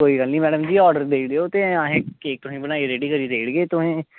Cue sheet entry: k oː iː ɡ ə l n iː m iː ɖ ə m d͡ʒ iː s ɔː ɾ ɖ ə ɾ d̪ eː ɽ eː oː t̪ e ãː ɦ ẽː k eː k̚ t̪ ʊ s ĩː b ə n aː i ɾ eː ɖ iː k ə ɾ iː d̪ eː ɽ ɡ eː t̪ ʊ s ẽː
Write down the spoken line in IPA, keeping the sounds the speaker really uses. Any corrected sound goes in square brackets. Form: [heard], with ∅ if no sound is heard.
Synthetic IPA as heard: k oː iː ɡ ə l n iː m [ɛː] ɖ ə m d͡ʒ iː [∅] ɔː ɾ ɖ ə ɾ d̪ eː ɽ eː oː t̪ e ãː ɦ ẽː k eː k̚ t̪ ʊ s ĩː b ə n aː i ɾ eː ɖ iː k ə ɾ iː d̪ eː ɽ ɡ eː t̪ ʊ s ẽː